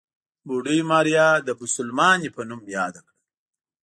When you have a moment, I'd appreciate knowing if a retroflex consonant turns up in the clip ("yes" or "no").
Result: yes